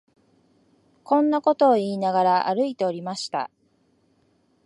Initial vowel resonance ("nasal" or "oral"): nasal